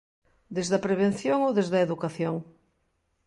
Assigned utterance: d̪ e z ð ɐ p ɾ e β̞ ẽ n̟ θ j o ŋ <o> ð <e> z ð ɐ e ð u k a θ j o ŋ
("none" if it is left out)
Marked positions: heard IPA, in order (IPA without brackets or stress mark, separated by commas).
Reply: o, e